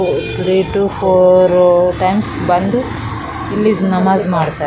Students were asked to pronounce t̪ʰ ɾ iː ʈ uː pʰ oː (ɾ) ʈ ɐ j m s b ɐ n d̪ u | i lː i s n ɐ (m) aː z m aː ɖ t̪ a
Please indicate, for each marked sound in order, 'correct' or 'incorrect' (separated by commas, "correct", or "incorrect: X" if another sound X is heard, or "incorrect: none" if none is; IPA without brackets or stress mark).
correct, correct